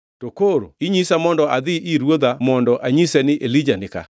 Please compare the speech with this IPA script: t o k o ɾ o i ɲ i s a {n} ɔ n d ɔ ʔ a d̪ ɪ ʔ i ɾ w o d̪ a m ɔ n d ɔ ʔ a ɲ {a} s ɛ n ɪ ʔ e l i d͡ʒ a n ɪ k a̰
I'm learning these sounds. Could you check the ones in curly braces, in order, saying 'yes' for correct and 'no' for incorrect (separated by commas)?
no, no